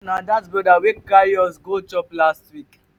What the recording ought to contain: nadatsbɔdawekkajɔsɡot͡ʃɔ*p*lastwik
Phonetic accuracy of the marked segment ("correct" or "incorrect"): correct